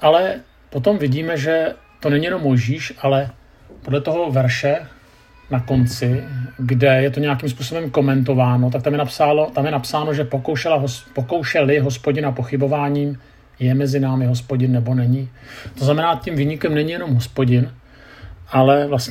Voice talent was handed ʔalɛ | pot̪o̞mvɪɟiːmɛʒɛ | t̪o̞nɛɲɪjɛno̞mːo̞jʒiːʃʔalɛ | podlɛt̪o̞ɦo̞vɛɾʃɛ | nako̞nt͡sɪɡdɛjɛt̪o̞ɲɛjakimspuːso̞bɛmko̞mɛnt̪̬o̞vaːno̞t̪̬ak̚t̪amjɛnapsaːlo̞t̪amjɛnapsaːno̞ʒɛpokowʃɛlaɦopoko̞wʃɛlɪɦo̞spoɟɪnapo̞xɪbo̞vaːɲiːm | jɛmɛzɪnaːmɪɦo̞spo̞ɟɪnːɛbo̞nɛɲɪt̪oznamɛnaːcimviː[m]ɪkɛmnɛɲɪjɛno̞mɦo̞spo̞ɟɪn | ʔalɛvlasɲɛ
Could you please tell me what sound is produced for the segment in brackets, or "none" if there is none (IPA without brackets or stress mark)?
ɲ